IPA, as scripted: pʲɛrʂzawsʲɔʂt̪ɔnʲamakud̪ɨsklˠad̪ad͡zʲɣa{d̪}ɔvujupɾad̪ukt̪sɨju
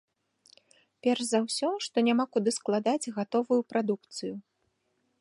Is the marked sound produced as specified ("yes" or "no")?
no